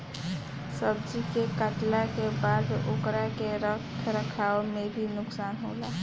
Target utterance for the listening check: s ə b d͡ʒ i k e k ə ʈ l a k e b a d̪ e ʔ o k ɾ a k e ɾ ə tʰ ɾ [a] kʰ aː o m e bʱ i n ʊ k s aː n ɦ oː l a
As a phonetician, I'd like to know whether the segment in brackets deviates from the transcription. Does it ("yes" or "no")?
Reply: yes